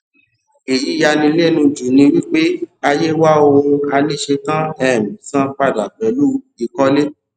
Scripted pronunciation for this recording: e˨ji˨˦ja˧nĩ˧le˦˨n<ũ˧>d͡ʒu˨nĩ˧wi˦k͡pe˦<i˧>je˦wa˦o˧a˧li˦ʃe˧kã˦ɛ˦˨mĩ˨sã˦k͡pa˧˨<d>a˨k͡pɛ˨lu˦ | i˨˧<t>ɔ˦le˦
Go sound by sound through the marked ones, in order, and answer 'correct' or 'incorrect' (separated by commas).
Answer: correct, incorrect, correct, incorrect